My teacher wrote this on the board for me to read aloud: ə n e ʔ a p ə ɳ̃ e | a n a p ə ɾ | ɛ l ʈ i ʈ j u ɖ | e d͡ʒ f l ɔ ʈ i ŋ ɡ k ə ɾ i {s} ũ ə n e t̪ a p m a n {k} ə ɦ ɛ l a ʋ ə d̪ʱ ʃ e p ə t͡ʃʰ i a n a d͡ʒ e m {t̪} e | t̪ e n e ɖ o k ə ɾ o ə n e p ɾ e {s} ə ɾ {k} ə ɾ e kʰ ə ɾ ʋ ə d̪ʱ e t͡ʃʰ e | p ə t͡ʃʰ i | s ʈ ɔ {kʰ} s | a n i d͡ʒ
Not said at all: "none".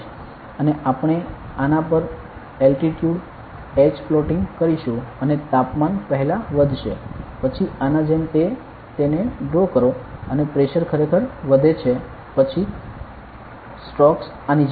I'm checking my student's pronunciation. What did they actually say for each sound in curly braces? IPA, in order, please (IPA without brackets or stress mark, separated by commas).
ʃ, p, t̪, ʃ, kʰ, k